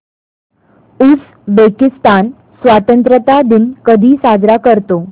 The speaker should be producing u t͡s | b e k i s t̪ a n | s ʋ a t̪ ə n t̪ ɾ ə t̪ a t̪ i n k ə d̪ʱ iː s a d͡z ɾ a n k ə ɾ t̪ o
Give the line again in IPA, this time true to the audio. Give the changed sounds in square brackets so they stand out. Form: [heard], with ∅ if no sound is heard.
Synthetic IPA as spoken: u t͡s | b e k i s t̪ a n | s ʋ a t̪ ə n t̪ ɾ ə t̪ a [d̪] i n k ə d̪ʱ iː s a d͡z ɾ a [∅] k ə ɾ t̪ o